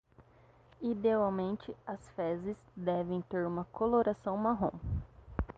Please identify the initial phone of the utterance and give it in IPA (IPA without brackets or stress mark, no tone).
i